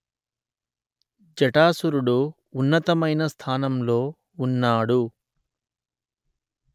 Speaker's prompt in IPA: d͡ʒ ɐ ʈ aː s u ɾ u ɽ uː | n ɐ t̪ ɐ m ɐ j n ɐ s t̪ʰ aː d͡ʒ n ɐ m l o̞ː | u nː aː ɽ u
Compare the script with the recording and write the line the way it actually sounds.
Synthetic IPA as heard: d͡ʒ ɐ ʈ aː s u ɾ u ɽ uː | nː ɐ t̪ ɐ m ɐ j n ɐ s t̪ʰ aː n ɐ m l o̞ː | u nː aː ɽ u